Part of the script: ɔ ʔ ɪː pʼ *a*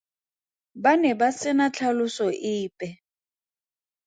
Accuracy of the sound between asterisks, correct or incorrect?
incorrect